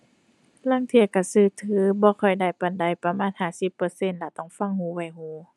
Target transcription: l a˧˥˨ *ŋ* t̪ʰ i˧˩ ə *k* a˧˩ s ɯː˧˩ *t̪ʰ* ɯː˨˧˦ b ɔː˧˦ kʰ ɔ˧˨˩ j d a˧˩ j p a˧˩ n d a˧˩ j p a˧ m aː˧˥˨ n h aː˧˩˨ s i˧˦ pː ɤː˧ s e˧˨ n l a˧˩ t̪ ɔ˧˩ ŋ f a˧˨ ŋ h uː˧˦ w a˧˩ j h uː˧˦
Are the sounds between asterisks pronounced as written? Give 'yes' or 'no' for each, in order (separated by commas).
yes, yes, yes